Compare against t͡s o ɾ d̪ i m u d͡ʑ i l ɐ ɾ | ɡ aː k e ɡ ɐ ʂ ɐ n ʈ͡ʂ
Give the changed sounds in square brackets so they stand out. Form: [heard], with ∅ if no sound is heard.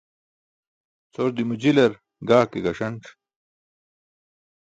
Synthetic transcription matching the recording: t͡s o ɾ d̪ i m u d͡ʑ i l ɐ ɾ | ɡ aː k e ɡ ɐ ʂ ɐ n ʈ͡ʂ